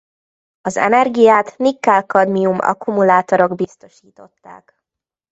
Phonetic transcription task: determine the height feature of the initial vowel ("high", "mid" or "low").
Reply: low